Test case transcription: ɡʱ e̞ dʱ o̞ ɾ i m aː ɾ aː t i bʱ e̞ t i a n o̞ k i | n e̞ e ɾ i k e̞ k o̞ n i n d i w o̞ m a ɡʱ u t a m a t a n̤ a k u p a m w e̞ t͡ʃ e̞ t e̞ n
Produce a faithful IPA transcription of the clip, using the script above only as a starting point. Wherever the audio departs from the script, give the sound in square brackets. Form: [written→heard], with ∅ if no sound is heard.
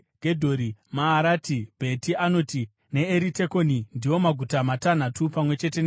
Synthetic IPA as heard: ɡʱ e̞ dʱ o̞ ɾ i m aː ɾ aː t i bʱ e̞ t i a n o̞ [k→t] i | n e̞ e ɾ i [k→t] e̞ k o̞ n i n d i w o̞ m a ɡʱ u t a m a t a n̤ a [k→t] u p a m w e̞ t͡ʃ e̞ t e̞ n